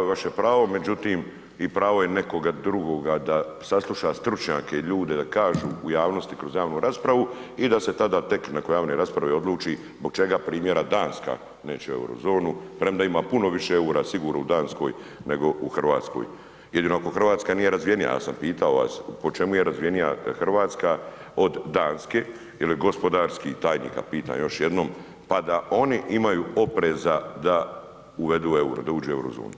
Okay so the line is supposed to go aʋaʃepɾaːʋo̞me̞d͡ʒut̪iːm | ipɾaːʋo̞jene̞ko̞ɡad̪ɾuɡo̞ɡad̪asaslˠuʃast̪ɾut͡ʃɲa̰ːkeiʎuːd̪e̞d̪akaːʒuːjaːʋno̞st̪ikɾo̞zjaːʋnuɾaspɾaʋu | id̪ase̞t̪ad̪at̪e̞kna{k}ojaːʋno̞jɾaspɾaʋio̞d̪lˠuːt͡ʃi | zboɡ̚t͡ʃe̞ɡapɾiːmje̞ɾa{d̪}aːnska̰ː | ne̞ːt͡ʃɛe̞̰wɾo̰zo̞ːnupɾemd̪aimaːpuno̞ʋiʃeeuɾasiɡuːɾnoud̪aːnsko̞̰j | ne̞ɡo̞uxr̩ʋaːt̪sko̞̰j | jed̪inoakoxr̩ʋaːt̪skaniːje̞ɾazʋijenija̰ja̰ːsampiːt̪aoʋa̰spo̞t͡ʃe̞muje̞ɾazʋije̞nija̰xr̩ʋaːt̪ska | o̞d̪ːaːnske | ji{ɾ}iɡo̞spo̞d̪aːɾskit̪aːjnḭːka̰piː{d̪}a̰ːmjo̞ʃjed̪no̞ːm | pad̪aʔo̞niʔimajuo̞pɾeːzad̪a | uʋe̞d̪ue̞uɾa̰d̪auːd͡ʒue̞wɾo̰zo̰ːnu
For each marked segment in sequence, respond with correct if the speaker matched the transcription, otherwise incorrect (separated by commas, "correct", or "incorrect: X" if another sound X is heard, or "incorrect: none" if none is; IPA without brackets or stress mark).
correct, correct, incorrect: l, incorrect: t̪